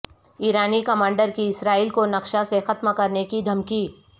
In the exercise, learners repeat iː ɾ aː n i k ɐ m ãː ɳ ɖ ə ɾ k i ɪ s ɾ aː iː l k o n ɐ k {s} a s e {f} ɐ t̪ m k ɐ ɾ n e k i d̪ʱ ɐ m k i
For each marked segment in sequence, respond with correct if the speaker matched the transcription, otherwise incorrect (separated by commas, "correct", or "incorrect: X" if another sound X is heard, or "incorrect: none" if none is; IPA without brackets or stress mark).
incorrect: ʃ, incorrect: x